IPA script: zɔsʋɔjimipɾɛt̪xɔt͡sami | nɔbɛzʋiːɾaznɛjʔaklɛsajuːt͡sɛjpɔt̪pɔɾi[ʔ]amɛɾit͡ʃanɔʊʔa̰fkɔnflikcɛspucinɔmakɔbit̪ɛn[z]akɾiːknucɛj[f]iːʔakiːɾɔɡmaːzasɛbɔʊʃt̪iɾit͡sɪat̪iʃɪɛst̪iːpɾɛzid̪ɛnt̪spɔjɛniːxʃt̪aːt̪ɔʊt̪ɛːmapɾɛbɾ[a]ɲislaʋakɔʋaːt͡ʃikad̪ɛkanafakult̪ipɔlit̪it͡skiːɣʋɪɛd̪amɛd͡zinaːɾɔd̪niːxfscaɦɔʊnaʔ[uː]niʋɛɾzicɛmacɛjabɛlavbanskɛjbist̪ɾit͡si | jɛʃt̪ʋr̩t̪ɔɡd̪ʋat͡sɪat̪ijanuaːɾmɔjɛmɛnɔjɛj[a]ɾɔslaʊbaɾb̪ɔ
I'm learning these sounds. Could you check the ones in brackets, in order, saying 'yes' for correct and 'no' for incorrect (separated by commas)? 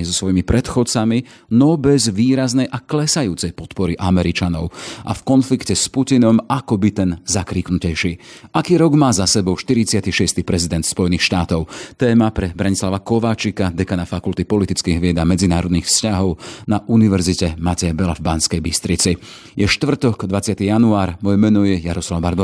yes, yes, no, yes, no, yes